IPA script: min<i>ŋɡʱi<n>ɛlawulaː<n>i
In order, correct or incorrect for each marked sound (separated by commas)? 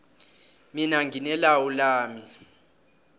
incorrect, correct, incorrect